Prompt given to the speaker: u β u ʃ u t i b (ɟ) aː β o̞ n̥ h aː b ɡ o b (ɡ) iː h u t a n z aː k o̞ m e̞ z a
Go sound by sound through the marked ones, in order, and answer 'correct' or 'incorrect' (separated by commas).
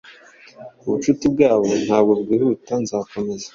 incorrect, correct